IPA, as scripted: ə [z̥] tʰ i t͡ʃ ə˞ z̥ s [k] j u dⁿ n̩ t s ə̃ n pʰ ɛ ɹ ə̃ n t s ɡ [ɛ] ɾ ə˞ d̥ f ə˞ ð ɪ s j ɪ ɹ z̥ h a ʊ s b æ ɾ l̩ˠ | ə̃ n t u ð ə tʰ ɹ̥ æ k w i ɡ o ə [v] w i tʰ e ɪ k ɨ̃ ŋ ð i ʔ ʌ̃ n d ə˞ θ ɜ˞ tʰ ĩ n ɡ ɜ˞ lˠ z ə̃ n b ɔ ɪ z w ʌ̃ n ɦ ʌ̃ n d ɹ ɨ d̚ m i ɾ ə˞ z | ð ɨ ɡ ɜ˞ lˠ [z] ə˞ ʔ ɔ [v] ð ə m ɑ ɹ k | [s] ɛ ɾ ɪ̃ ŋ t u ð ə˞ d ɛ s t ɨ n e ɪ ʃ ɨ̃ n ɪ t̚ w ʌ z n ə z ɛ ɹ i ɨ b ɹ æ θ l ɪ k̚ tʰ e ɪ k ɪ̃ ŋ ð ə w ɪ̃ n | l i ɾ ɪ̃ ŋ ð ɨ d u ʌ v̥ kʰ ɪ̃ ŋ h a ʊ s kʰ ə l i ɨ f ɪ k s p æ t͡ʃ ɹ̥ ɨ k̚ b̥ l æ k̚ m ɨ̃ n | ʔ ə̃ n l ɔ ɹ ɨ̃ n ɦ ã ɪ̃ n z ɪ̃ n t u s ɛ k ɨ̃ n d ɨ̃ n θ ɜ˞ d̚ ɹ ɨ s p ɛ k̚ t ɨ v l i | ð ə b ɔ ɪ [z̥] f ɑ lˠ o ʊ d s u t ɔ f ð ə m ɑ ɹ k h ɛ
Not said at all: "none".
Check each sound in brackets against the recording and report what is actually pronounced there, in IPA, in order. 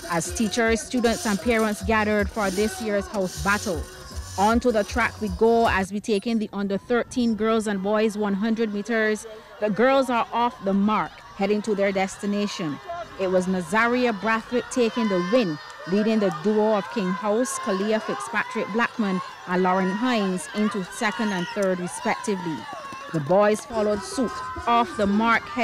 z̥, t, æ, z, z, f, h, z̥

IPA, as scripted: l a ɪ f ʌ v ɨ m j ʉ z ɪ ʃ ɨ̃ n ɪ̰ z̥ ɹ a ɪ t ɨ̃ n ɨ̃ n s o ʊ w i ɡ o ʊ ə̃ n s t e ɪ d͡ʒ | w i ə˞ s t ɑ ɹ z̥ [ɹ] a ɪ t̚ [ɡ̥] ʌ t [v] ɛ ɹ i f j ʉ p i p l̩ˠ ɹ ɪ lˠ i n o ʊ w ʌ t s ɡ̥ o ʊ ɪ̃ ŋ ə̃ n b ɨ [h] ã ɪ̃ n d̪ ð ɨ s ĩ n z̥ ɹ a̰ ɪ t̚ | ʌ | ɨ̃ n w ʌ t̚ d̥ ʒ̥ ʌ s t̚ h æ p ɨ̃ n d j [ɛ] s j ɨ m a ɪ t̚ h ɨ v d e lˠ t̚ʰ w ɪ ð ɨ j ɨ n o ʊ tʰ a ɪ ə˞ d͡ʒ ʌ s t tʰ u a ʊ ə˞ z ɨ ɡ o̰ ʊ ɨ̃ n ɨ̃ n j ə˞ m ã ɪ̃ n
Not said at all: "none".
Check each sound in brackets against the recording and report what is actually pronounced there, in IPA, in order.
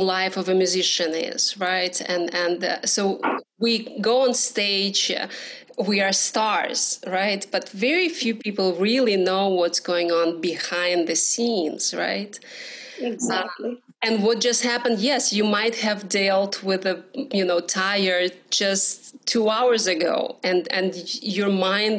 ɹ, b̥, v, h, ɛ

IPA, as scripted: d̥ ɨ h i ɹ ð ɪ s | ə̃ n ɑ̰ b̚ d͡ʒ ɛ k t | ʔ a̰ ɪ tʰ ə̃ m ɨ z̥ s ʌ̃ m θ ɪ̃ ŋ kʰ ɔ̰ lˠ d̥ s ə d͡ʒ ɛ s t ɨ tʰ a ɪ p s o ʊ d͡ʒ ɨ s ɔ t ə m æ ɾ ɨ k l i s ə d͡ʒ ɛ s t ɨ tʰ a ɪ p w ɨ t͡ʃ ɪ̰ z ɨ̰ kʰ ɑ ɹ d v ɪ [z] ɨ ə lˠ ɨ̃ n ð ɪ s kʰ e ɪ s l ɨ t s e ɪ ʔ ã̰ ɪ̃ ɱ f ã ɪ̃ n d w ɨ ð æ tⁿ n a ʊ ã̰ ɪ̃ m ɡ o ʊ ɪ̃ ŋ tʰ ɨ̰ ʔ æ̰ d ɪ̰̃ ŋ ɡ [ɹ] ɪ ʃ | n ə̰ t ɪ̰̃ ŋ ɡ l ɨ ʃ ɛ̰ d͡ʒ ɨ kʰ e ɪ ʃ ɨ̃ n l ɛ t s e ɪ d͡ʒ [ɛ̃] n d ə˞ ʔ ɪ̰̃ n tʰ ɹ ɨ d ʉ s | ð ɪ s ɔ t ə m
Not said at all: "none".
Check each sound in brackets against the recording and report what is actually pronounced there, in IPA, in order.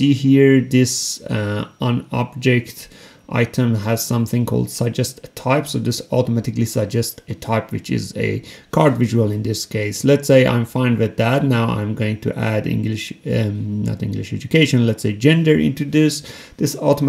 ʒ, l, ɛ̃

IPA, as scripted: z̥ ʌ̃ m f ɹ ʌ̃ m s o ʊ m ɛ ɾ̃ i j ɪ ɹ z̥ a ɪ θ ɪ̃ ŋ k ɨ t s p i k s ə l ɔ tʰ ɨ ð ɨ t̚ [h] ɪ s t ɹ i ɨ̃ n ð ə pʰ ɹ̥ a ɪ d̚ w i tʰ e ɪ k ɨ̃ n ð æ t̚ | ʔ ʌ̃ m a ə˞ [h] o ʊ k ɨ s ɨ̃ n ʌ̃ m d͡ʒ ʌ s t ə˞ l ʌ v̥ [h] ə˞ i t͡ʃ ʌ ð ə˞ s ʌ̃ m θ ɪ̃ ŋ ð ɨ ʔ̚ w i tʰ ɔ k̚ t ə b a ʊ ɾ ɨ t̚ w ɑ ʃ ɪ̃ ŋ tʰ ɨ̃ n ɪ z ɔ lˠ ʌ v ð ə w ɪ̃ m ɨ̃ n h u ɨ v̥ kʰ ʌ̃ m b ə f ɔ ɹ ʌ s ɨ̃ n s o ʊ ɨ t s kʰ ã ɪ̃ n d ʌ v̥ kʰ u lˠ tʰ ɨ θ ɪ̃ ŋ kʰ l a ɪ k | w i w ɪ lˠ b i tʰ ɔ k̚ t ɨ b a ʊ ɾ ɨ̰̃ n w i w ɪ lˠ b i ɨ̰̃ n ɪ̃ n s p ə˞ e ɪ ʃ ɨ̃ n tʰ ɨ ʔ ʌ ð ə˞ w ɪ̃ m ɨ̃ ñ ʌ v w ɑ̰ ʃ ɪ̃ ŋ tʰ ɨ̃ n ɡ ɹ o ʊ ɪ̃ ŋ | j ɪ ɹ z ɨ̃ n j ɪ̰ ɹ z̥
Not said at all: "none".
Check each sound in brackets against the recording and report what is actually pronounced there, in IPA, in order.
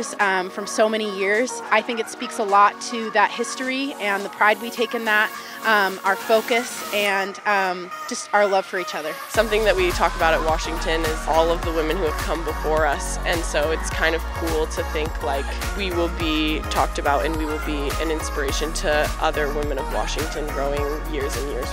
h, f, f

